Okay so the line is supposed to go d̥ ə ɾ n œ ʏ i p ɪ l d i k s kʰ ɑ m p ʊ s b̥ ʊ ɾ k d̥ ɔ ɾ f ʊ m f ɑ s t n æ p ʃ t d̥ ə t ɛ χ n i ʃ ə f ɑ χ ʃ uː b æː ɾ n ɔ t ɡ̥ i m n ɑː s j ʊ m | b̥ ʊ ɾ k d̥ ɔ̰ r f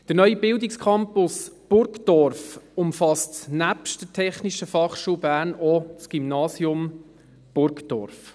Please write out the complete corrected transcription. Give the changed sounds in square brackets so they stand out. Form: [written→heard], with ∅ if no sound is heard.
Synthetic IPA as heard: d̥ ə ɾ n œ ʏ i [p→b] ɪ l d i k s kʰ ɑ m p ʊ s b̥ ʊ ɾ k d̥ ɔ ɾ f ʊ m f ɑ s t n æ p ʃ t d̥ ə [t→tʰ] ɛ χ n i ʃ ə f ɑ χ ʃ uː b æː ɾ n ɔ [t→t͡s] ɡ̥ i m n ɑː s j ʊ m | b̥ ʊ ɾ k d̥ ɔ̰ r f